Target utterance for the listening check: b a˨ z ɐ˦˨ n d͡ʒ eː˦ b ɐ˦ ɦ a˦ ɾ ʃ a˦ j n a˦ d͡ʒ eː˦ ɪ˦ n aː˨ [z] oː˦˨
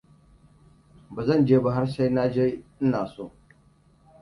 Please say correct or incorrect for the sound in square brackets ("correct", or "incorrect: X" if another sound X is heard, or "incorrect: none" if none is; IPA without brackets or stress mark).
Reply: incorrect: s